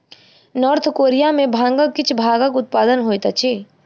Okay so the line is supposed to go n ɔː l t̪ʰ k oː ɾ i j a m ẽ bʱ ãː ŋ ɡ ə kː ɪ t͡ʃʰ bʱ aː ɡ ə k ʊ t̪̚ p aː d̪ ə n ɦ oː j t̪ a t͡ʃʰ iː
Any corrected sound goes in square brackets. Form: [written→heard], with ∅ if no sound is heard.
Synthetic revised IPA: n ɔː [l→ɾ] t̪ʰ k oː ɾ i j a m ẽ bʱ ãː ŋ ɡ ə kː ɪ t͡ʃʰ bʱ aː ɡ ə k ʊ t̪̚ p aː d̪ ə n ɦ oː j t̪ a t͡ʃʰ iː